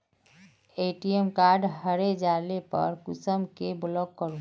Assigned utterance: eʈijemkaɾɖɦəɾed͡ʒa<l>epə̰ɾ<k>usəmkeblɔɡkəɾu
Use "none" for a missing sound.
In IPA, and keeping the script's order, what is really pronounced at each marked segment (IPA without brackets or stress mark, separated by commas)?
l, k